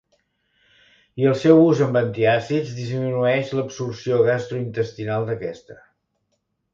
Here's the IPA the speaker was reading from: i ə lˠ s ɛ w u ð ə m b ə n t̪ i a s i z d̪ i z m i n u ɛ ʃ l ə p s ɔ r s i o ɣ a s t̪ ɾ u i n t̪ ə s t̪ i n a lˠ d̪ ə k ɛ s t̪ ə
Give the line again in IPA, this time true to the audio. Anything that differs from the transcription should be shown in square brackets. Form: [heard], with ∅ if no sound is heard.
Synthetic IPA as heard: i ə lˠ s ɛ w u [z] ə m b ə n t̪ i a s i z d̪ i z m i n u ɛ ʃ l ə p s [u] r s i o ɣ a s t̪ ɾ u i n t̪ ə s t̪ i n a lˠ d̪ ə k ɛ s t̪ ə